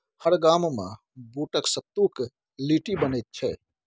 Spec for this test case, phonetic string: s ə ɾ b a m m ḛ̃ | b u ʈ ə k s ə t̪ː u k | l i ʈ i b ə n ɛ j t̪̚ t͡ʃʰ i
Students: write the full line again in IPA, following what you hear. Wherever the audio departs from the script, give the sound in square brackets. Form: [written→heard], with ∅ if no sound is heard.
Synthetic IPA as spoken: [s→h] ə ɾ [b→ɡ] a m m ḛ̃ | b u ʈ ə k s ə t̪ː u k | l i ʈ i b ə n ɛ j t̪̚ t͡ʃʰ [i→ɛ]